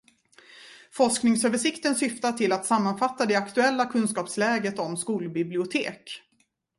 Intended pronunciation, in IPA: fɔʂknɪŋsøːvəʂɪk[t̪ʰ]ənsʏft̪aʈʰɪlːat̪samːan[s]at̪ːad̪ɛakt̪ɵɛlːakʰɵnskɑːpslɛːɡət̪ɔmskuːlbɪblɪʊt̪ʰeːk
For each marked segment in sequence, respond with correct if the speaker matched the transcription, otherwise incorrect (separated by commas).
incorrect, incorrect